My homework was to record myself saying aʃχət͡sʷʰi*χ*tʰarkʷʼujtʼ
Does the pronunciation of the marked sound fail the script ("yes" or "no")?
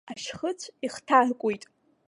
no